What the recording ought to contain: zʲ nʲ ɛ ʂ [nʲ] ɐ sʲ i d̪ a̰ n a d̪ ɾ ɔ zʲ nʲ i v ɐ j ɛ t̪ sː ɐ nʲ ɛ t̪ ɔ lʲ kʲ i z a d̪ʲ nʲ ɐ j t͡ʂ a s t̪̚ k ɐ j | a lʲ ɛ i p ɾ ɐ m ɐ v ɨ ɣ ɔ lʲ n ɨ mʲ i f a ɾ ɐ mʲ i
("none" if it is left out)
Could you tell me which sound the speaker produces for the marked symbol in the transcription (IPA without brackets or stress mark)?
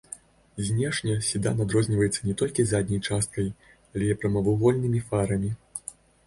nʲ